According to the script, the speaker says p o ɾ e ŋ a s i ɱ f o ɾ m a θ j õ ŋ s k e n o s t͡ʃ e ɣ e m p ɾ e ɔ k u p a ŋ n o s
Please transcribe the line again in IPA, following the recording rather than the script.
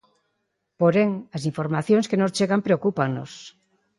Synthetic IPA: p o ɾ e ŋ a s i ɱ f o ɾ m a θ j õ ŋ s k e n o s t͡ʃ e ɣ a m p ɾ e o k u p a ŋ n o s